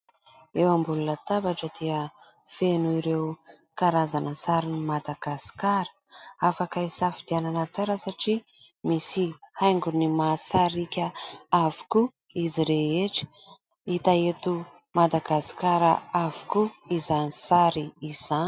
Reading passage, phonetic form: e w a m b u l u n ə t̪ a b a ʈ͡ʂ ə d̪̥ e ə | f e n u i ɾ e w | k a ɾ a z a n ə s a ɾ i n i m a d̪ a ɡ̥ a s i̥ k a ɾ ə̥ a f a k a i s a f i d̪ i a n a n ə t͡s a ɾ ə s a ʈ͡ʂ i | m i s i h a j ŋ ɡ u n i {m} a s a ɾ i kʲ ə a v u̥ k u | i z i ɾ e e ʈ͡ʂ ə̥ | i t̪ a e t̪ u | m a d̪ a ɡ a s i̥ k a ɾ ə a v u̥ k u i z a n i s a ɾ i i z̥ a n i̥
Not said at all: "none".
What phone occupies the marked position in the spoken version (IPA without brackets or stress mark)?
m